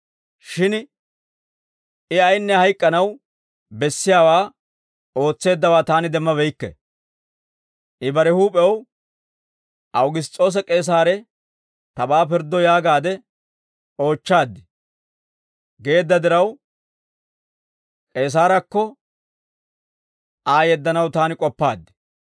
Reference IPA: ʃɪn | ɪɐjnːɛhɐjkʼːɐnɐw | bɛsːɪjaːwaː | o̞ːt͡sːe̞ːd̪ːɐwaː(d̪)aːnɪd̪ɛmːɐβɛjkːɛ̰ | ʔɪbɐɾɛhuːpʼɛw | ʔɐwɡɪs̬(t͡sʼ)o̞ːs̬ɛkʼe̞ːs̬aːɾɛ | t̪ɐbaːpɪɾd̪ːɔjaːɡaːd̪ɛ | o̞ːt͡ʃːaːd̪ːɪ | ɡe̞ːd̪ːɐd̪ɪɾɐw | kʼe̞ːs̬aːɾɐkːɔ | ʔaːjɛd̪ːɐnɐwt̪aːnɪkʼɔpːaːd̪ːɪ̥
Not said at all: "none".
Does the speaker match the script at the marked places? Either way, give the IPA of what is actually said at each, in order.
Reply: t̪, t͡sʼ

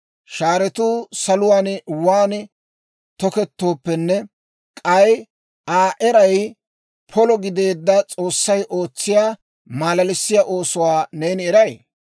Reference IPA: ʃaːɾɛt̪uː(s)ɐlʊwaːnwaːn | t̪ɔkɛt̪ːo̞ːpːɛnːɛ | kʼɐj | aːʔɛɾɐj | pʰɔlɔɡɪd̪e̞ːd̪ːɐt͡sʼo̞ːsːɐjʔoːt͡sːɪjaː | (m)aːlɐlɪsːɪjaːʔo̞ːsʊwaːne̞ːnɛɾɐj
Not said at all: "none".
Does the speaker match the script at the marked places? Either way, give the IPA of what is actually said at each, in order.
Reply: s, m

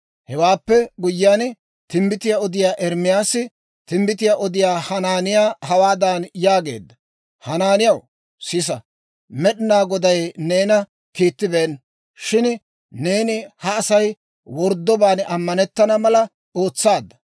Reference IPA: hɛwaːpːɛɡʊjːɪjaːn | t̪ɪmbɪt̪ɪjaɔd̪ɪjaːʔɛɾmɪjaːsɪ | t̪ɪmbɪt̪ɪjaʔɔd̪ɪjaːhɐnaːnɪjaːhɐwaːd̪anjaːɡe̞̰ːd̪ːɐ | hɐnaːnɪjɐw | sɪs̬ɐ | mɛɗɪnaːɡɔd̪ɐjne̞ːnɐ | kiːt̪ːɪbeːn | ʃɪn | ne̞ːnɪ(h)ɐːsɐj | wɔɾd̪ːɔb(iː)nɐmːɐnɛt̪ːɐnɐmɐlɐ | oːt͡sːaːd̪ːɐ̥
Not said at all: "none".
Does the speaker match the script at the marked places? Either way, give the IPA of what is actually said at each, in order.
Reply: h, aː

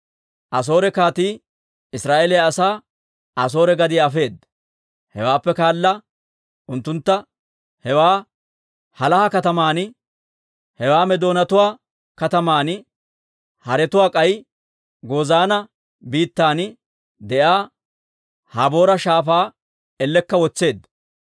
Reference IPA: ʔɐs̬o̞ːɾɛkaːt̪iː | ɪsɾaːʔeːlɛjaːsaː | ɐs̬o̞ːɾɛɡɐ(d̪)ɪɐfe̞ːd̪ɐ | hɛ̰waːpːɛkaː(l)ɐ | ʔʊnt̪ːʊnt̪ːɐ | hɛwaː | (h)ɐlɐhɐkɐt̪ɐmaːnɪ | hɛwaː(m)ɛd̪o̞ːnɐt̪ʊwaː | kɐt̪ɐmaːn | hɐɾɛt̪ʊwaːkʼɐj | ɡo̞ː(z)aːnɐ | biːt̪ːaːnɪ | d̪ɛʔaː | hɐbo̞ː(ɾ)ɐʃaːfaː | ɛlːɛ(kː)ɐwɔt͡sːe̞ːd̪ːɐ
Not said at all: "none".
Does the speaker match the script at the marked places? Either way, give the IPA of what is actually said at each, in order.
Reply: d̪, lː, h, m, z, ɾ, kː

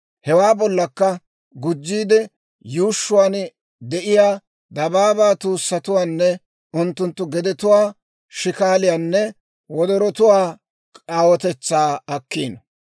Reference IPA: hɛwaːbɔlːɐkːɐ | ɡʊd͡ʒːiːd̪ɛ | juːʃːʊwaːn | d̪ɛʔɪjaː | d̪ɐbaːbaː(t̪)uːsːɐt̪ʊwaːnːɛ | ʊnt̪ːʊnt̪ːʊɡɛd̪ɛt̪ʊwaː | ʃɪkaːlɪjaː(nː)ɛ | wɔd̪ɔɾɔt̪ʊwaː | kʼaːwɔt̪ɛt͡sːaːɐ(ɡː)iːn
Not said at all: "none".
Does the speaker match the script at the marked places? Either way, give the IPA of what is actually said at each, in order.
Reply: t̪, nː, kː

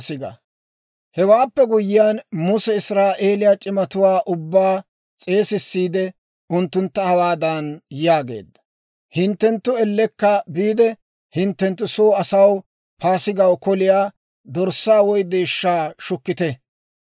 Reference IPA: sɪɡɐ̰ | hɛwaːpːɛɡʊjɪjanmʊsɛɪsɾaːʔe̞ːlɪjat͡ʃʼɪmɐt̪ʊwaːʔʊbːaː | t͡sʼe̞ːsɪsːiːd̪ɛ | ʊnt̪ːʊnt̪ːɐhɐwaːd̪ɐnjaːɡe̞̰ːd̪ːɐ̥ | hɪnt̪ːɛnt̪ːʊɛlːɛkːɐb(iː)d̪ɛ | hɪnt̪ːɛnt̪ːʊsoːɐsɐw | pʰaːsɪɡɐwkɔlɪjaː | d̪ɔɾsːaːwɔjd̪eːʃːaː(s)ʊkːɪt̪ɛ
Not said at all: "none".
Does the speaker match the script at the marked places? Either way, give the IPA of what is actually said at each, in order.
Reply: iː, ʃ

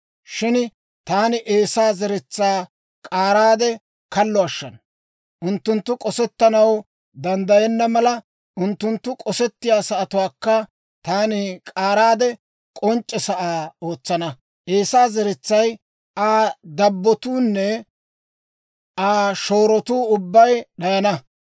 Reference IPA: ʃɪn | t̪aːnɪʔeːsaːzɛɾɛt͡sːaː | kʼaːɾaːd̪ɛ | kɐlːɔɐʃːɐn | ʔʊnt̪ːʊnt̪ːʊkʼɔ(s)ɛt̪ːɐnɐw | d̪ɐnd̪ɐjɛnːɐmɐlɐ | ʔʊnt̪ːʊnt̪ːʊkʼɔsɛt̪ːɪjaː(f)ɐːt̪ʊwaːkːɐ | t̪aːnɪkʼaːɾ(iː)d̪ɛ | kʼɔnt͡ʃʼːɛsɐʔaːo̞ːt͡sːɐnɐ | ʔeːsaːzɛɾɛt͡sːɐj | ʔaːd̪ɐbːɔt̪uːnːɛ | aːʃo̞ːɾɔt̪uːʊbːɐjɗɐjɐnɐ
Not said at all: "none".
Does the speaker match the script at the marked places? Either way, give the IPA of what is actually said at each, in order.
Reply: s, s, aː

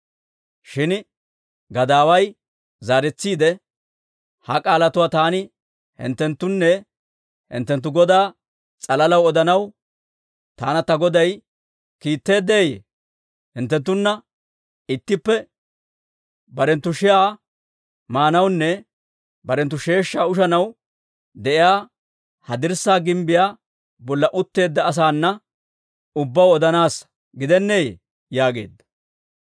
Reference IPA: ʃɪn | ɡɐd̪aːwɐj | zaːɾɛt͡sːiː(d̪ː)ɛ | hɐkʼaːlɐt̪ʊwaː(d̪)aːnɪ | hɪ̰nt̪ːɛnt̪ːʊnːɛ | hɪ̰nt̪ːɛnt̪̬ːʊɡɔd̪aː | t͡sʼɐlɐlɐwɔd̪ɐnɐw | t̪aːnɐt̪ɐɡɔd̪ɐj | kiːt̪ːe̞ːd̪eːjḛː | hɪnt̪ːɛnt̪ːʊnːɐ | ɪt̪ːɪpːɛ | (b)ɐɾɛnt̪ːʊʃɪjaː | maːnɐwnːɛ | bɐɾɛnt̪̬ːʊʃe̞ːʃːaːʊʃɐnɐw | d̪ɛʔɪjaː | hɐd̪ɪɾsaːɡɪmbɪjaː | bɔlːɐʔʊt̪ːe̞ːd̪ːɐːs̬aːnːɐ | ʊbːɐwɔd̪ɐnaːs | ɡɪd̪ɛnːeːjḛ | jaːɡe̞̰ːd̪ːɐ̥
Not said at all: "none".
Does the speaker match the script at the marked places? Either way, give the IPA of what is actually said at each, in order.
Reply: d̪, t̪, b

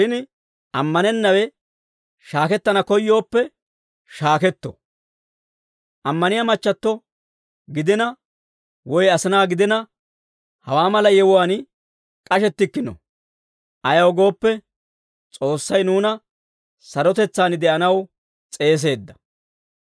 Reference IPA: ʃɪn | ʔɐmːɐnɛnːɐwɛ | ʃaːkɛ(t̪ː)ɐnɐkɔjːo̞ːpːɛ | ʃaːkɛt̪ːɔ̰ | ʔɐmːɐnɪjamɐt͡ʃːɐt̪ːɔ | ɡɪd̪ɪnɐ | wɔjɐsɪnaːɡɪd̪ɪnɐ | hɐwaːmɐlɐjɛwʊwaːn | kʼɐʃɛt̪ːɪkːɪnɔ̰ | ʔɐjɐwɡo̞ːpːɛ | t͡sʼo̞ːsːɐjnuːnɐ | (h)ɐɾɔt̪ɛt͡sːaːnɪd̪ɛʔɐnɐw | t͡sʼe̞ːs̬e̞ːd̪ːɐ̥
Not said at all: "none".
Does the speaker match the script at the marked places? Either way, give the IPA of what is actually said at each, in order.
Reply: t̪ː, s

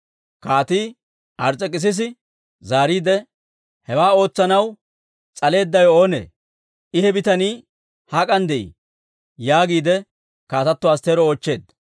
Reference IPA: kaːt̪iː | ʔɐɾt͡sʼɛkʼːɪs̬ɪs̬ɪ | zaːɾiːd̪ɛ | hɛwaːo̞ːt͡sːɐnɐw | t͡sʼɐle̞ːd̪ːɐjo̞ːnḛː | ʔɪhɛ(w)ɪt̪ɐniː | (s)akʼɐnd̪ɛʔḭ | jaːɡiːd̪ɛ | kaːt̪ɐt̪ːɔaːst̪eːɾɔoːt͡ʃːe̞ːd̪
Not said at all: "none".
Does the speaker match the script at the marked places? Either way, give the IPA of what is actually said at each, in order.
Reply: b, h

